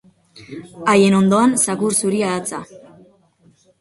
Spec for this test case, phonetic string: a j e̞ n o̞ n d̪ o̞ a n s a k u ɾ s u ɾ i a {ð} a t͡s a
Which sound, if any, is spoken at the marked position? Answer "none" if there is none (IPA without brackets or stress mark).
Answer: ð